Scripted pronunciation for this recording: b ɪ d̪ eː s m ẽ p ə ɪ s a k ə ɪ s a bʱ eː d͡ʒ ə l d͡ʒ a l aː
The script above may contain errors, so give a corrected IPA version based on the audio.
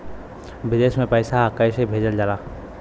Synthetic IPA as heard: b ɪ d̪ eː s m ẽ p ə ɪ s a k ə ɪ s e bʱ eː d͡ʒ ə l d͡ʒ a l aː